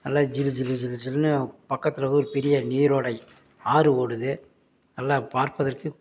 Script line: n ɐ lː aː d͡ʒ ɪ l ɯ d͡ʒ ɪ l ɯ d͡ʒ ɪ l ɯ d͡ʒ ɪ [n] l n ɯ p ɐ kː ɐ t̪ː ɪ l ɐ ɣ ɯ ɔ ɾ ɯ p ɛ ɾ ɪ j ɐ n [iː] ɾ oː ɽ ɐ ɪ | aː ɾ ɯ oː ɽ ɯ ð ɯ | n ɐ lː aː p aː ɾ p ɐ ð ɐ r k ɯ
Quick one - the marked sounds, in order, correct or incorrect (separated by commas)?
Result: incorrect, correct